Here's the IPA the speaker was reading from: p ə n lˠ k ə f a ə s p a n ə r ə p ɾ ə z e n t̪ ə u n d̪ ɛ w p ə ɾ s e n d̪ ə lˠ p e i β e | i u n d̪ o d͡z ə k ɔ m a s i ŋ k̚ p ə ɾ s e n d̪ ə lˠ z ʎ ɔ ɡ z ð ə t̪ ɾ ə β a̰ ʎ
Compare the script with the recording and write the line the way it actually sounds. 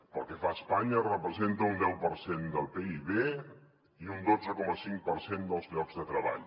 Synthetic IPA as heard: p ə lˠ k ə f a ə s p a ɲ ə r ə p ɾ ə z e n t̪ ə u n d̪ ɛ w p ə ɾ s e n d̪ ə lˠ p e i β e | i u n d̪ o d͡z ə k ɔ m ə s i ŋ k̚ p ə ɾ s e n d̪ ə lˠ z ʎ ɔ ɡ z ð ə t̪ ɾ ə β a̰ ʎ